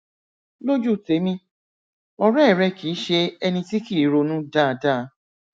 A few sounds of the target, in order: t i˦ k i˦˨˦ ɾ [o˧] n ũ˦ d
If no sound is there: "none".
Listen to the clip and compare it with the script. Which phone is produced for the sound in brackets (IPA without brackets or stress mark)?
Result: o˧